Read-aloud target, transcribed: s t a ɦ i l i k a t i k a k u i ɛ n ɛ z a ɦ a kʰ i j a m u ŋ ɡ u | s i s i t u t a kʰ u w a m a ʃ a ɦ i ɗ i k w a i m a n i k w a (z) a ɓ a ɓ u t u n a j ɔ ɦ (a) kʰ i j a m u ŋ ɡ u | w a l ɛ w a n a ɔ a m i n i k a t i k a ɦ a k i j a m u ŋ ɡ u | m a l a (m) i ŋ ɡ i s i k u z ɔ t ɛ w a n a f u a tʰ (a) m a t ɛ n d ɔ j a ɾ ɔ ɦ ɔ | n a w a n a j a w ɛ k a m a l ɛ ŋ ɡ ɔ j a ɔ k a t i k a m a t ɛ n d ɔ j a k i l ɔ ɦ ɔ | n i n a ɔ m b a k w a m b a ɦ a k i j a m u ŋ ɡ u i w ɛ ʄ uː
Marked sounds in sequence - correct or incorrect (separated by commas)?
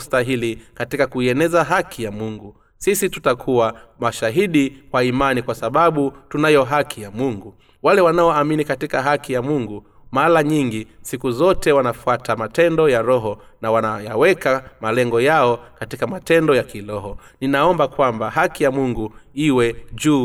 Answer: incorrect, correct, incorrect, correct